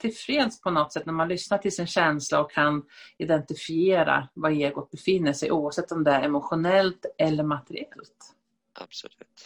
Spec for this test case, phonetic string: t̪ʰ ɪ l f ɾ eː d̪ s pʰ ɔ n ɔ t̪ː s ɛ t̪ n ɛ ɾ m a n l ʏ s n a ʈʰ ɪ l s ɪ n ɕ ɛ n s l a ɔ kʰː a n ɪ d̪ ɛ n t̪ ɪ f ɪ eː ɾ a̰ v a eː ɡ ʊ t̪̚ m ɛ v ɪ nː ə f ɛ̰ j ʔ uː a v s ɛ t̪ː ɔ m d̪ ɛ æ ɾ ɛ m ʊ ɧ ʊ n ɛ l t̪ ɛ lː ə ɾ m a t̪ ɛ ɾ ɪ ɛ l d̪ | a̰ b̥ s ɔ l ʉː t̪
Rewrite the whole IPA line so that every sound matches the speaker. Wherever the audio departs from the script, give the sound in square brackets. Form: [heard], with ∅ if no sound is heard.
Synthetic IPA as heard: t̪ʰ ɪ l f ɾ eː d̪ s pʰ ɔ n ɔ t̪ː s ɛ t̪ n [æ] ɾ m a n l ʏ s n a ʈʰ ɪ l s ɪ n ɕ ɛ n s l a ɔ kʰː a n ɪ d̪ ɛ n t̪ ɪ f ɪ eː ɾ a̰ v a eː ɡ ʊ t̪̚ [b] ɛ [f] ɪ nː ə [ʂ] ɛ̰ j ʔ uː a v s ɛ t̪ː ɔ m d̪ ɛ æ ɾ ɛ m ʊ ɧ ʊ n ɛ l t̪ ɛ lː ə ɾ m a t̪ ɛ ɾ ɪ ɛ l [t̪] | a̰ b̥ s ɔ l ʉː t̪